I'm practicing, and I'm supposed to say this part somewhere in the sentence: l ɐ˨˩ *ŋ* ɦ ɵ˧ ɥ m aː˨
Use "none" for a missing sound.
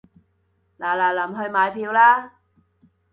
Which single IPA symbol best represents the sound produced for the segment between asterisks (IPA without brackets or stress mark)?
m